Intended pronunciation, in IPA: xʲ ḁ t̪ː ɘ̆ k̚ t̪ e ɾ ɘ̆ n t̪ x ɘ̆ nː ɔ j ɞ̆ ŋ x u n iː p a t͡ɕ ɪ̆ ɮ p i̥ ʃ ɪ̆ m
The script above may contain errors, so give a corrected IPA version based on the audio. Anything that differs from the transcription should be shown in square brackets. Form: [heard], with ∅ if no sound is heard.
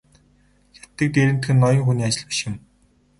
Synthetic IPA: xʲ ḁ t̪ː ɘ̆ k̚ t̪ e ɾ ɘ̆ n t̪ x ɘ̆ nː ɔ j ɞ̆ ŋ x u n iː [∅] a t͡ɕ ɪ̆ ɮ p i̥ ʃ ɪ̆ m